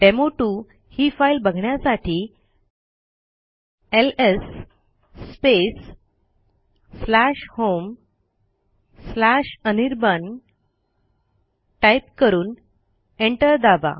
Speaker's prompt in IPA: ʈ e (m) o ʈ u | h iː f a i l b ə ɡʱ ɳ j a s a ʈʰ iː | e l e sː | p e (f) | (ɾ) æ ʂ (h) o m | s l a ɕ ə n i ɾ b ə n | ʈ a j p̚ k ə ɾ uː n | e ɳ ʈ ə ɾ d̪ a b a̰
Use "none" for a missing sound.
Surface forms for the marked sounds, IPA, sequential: m, s, l, h

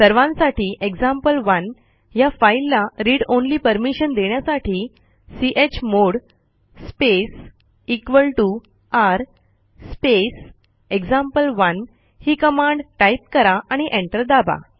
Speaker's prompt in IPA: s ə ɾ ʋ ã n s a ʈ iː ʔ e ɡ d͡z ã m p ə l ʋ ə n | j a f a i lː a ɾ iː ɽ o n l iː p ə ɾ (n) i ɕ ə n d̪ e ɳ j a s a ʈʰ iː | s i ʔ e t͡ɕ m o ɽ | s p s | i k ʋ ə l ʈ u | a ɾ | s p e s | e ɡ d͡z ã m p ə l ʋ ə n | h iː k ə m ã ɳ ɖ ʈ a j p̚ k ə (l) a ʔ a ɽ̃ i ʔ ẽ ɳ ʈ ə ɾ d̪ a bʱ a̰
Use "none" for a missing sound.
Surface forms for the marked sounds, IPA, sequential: m, ɾ

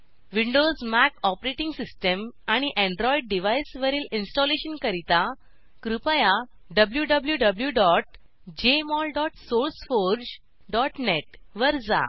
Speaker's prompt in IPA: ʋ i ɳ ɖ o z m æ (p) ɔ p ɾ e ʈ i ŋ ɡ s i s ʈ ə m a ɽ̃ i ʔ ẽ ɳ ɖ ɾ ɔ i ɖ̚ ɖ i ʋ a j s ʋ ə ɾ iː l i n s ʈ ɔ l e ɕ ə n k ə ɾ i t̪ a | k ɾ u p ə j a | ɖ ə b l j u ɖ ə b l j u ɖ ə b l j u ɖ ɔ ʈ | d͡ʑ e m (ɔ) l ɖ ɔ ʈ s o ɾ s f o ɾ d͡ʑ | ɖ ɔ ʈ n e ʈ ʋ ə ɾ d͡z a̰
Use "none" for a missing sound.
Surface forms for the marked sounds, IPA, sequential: k, ɔ

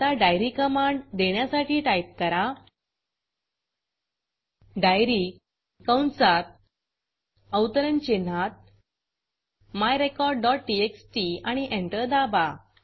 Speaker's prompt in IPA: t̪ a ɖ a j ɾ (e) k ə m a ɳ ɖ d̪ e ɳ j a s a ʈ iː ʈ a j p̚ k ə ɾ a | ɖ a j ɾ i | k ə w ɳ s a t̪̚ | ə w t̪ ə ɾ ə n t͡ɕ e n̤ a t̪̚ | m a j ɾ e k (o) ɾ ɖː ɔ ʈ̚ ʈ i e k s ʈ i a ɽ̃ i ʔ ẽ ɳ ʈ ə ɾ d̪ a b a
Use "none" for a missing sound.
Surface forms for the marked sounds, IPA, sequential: i, ɔ

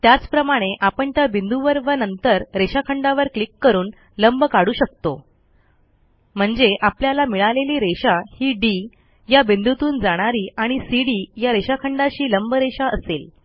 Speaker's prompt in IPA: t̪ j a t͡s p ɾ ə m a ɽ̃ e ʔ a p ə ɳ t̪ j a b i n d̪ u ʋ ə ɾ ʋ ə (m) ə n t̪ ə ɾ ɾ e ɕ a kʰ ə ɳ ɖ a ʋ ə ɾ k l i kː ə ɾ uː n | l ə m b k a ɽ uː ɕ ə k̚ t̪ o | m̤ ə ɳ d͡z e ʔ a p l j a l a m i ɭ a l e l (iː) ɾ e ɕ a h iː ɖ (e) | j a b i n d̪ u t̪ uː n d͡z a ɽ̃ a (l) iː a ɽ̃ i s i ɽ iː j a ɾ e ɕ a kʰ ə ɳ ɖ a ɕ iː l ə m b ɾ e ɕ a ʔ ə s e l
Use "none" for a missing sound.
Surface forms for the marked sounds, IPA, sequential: n, iː, i, ɾ

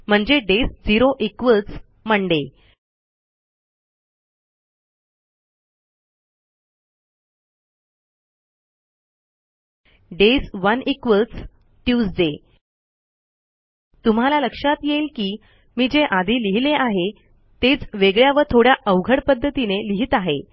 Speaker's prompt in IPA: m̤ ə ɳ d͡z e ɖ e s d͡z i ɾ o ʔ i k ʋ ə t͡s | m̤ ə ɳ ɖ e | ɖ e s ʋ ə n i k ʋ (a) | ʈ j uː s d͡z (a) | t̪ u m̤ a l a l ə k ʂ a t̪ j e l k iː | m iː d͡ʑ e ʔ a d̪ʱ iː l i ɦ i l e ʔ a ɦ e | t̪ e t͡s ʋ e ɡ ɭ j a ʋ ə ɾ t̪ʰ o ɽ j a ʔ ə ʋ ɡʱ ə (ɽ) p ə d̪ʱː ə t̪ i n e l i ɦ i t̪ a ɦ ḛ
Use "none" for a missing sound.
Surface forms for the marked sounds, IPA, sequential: ə, e, ɽ

